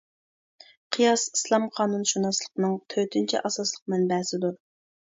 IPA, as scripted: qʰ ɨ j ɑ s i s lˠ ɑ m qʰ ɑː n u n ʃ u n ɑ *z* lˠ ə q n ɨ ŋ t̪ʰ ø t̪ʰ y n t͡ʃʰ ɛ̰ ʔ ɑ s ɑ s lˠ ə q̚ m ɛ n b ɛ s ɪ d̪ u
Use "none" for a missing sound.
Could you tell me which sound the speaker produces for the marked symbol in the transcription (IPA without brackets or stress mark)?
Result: s